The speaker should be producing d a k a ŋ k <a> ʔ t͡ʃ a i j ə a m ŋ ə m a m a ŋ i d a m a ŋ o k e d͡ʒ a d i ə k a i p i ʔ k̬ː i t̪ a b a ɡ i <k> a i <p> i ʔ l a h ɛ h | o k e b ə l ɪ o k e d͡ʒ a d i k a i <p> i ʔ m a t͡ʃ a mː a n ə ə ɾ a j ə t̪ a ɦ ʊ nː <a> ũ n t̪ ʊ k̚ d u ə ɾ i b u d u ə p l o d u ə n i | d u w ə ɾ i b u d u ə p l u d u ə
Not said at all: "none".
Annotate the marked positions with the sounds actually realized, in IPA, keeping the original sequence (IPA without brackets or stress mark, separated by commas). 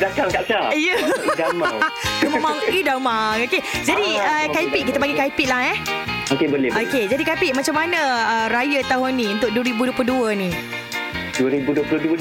a, k, p, p, i